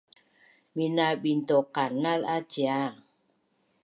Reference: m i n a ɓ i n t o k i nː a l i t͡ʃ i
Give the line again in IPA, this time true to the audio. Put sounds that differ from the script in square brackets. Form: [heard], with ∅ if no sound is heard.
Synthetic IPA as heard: m i n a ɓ i n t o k [a] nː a l [a] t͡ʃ [a]